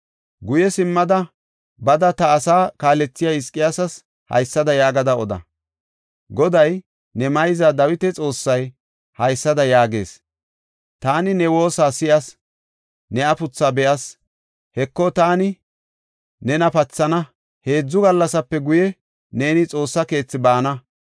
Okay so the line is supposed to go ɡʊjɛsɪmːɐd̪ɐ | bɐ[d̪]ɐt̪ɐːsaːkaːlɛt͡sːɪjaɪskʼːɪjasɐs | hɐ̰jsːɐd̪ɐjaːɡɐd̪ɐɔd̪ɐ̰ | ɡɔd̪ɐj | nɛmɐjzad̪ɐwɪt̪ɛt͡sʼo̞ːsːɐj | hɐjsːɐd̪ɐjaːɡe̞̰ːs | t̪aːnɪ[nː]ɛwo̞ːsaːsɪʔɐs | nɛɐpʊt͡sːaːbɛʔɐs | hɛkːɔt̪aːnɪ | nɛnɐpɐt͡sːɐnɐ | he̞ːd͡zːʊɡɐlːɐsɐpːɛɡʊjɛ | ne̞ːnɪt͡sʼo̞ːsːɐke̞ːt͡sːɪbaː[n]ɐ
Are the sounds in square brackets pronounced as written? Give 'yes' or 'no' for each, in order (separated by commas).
yes, no, yes